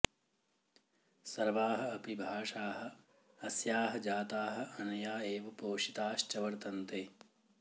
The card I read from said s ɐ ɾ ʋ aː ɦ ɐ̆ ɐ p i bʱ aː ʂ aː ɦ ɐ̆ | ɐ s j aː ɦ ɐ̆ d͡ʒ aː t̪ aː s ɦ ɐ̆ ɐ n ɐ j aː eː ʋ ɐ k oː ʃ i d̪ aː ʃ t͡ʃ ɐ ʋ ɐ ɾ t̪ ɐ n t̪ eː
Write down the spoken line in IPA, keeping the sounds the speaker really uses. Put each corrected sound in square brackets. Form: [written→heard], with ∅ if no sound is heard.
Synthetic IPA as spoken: s ɐ ɾ ʋ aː ɦ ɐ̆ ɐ p i bʱ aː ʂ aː ɦ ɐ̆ | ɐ s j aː ɦ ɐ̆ d͡ʒ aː t̪ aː [s→∅] ɦ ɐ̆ ɐ n ɐ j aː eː ʋ ɐ [k→p] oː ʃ i [d̪→t̪] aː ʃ t͡ʃ ɐ ʋ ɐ ɾ t̪ ɐ n t̪ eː